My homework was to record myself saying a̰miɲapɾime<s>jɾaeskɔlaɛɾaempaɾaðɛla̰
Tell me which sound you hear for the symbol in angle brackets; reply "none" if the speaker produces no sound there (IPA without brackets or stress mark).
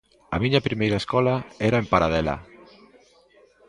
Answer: none